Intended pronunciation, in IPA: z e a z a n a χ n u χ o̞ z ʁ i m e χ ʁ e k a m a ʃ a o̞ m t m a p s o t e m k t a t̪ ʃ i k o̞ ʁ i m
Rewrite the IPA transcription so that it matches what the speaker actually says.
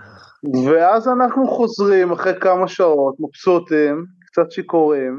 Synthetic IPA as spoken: v e a z a n a χ n u χ o̞ z ʁ i m a χ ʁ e k a m a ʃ a o̞ t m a p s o t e m k t͡s a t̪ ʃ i k o̞ ʁ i m